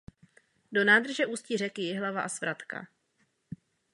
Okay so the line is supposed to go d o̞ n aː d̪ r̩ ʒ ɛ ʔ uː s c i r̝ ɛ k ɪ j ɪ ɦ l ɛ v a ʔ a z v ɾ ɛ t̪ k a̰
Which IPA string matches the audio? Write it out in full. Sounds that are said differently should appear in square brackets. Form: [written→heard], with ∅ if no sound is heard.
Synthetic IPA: d o̞ n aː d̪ r̩ ʒ ɛ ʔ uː s c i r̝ ɛ k ɪ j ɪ ɦ l [ɛ→a] v a ʔ a [z→s] v ɾ [ɛ→a] t̪ k a̰